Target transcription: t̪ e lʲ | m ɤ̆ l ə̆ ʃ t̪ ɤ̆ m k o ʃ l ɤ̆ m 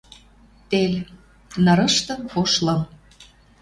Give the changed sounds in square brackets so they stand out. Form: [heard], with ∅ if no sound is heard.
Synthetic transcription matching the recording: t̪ e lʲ | [n] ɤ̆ [ɾ] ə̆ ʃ t̪ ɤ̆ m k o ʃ l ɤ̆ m